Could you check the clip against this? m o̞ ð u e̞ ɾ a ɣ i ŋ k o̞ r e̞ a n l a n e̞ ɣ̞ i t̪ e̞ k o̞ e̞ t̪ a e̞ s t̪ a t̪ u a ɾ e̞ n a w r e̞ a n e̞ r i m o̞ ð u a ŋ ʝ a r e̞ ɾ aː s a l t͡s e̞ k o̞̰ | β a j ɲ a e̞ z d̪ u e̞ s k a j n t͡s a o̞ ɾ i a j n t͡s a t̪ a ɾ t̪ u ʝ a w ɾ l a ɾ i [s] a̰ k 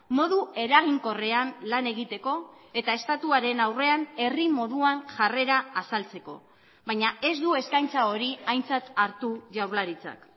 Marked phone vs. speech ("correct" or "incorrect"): incorrect